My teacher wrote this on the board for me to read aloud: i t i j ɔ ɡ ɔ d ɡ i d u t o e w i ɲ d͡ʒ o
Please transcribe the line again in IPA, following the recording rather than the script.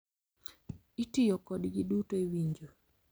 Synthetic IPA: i t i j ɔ k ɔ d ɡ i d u t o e w i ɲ d͡ʒ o